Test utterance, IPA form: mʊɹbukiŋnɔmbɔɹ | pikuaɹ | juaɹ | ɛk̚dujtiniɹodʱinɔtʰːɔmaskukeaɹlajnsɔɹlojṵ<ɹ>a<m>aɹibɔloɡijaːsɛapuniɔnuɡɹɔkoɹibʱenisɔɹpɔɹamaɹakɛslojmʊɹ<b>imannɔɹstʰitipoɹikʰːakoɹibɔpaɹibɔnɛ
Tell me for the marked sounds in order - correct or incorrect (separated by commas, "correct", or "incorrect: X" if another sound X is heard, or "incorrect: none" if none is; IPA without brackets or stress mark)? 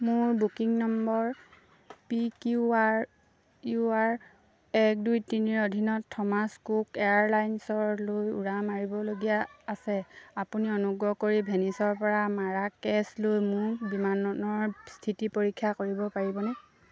correct, correct, correct